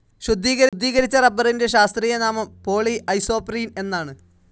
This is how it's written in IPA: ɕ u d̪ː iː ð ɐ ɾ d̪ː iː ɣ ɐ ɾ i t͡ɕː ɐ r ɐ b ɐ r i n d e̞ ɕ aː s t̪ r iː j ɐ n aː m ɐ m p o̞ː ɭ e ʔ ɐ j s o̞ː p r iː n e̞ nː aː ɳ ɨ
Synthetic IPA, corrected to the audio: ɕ u d̪ː iː ɣ ɐ ɾ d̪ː iː ɣ ɐ ɾ i t͡ɕː ɐ r ɐ b ɐ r i n d e̞ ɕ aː s t̪ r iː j ɐ n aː m ɐ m p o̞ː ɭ i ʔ ɐ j s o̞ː p r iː n e̞ nː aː ɳ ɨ